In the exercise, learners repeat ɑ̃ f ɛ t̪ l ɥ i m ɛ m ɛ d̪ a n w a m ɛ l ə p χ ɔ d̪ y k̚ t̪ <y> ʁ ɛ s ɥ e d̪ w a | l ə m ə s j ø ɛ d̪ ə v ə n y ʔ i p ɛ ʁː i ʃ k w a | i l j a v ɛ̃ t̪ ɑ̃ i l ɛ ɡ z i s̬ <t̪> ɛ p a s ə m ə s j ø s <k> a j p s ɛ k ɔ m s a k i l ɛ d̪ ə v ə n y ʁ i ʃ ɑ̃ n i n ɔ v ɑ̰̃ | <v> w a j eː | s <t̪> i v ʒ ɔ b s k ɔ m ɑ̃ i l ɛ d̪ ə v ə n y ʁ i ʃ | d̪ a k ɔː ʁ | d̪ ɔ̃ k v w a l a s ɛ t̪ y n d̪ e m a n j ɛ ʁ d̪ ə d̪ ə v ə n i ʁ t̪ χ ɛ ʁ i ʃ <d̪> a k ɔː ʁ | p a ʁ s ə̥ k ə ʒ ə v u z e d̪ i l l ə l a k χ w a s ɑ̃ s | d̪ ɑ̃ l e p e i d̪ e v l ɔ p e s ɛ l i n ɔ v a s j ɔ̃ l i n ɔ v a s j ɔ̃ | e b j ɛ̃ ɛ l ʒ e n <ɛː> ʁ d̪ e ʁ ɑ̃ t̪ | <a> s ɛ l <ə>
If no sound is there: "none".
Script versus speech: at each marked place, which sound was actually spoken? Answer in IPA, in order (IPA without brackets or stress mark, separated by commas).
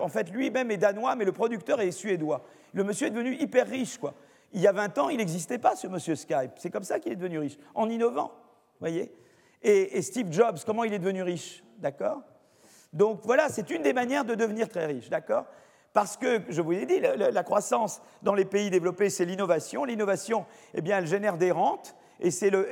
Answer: œ, t̪, k, v, t̪, d̪, ɛ, e, ə